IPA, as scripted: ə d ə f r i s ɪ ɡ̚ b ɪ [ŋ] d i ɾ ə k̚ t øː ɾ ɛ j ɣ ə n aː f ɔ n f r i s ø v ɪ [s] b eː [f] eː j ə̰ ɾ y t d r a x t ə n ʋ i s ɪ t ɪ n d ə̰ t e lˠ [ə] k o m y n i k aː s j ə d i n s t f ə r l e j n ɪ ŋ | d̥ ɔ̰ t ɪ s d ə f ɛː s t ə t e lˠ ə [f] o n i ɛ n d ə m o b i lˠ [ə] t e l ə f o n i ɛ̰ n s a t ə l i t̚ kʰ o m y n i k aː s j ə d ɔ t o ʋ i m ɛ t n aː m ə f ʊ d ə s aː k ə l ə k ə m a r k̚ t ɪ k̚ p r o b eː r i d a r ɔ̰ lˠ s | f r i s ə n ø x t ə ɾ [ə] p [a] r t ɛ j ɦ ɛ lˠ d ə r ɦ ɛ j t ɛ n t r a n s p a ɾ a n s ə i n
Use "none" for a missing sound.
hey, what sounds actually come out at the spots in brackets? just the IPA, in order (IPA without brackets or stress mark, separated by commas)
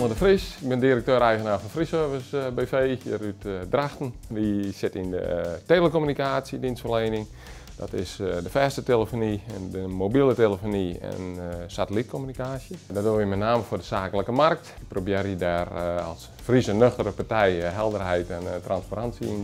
n, s, f, ə, f, ə, ə, a